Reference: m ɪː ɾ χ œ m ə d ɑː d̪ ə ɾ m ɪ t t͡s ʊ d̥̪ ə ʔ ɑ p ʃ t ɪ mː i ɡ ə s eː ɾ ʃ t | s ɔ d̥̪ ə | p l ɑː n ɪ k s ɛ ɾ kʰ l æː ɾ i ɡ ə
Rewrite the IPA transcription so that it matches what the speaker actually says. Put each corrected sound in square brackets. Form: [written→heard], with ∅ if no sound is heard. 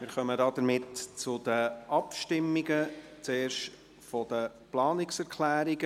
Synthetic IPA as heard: m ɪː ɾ χ œ m ə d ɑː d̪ ə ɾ m ɪ t t͡s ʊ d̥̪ ə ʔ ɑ p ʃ t ɪ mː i ɡ ə [s→t͡s] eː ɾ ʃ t | [s→f] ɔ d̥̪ ə | p l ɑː n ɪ k s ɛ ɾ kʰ l æː ɾ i ɡ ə